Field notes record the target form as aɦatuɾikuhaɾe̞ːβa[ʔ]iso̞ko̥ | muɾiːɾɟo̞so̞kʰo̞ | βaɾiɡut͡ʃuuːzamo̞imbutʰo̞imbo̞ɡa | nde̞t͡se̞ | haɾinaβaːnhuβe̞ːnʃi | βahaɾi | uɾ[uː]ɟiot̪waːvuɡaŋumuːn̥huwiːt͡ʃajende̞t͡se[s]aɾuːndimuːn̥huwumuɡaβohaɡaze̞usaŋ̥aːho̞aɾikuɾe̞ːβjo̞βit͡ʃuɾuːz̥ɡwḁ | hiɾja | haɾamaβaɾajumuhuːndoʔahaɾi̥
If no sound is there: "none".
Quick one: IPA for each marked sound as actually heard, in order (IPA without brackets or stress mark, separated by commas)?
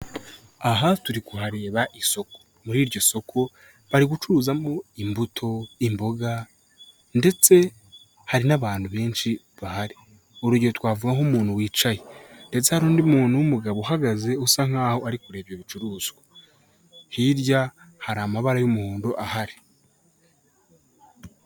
ʔ, u, h